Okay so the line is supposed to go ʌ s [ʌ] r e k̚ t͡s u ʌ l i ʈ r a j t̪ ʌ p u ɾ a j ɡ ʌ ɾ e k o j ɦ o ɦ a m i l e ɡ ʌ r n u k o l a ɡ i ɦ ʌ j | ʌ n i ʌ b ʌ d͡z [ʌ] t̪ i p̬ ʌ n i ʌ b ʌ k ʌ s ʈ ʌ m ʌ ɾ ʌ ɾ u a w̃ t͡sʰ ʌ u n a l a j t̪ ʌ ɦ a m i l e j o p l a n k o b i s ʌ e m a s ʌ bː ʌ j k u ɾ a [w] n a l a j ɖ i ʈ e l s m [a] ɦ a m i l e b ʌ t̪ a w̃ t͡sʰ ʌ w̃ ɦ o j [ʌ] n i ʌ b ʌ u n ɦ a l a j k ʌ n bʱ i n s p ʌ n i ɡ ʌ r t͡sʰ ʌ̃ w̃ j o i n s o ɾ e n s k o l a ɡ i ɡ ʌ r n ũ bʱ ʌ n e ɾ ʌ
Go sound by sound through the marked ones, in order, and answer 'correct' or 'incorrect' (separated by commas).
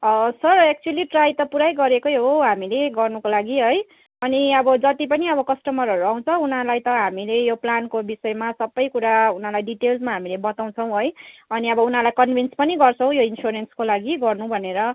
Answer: correct, correct, incorrect, correct, correct